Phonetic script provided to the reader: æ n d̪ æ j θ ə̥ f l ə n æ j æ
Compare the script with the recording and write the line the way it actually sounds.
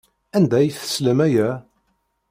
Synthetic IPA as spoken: æ n d̪ æ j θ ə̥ s l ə m æ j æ